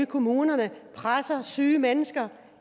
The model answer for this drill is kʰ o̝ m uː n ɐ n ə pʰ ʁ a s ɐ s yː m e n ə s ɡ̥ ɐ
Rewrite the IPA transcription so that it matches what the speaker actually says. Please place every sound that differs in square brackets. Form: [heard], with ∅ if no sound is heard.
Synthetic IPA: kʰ o̝ m uː n ɐ n ə pʰ ʁ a s ɐ s yː m e n ə s ɡ̥ ɐ